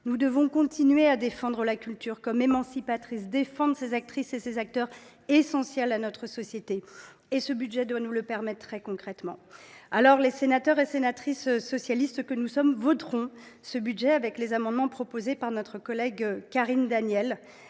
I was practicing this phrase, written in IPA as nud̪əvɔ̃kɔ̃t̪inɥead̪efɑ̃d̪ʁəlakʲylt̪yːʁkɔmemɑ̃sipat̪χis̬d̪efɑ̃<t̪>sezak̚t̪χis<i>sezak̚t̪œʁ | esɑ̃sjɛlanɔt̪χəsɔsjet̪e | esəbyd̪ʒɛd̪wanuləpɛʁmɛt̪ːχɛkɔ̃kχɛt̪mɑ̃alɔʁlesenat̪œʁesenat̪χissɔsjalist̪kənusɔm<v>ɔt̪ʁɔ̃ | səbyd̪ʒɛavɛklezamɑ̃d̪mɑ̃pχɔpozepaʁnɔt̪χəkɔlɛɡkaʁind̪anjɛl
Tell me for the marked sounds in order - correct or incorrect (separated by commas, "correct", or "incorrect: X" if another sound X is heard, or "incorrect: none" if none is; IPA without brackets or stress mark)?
incorrect: d̪, incorrect: e, correct